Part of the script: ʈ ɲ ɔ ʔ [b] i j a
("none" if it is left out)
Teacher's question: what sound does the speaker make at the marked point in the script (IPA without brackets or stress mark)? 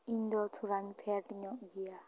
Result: ɡ